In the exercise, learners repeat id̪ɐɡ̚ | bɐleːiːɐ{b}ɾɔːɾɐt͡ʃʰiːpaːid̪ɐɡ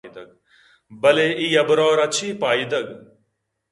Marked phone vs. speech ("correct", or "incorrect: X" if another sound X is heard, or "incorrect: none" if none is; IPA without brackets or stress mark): correct